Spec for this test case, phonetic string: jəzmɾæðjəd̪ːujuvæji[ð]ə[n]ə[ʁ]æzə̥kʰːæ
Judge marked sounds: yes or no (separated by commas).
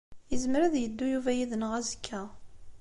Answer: yes, yes, yes